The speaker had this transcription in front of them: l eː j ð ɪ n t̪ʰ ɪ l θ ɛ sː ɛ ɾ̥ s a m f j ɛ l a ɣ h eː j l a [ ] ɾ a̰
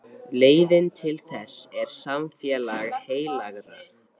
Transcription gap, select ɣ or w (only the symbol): ɣ